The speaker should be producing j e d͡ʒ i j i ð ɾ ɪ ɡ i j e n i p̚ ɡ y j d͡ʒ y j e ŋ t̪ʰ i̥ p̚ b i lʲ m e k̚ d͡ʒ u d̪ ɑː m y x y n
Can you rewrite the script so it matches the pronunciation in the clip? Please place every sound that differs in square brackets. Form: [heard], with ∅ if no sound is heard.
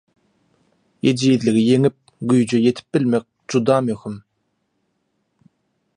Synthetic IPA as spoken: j e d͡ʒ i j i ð [l] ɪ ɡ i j e [ŋ] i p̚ ɡ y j d͡ʒ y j e [∅] t̪ʰ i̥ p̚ b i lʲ m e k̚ d͡ʒ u d̪ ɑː m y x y [m]